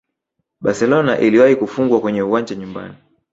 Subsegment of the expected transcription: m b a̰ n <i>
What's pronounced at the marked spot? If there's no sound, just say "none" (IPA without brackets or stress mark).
i